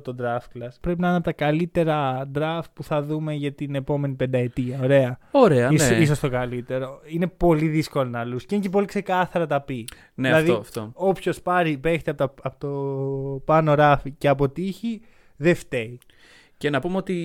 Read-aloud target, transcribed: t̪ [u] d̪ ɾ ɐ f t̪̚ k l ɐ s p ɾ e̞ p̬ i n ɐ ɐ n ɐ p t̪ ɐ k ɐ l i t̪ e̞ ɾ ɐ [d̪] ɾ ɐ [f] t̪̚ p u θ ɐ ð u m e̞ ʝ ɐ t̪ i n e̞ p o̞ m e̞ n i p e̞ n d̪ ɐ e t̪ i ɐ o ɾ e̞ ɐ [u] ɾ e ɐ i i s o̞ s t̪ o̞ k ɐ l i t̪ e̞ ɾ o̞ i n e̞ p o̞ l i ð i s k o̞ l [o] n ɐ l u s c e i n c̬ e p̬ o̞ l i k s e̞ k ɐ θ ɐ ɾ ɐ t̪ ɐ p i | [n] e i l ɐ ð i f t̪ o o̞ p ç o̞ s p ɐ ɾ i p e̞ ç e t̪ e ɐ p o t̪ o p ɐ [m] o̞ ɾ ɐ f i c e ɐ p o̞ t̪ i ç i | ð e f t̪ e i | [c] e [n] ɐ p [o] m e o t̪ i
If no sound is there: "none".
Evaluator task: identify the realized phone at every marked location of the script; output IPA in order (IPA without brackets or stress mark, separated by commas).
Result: o, d̪, f, o, o, n, n, c, n, u